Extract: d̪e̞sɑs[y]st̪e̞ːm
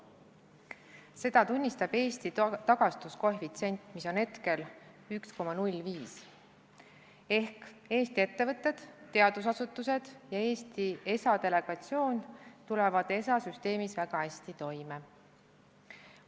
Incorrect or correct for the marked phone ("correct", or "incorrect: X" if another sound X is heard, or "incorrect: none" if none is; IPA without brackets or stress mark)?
correct